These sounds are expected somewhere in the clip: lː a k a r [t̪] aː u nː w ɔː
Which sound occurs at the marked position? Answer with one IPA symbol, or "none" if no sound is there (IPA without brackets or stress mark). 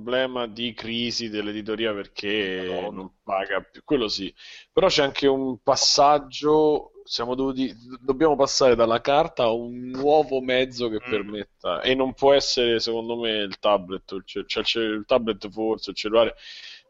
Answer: t̪